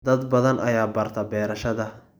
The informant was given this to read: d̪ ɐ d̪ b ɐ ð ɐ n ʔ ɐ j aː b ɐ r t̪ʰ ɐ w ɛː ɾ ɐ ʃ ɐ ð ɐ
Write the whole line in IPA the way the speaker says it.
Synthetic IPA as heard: d̪ ɐ d̪ b ɐ ð ɐ n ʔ ɐ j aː b ɐ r t̪ʰ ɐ b ɛː ɾ ɐ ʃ ɐ ð ɐ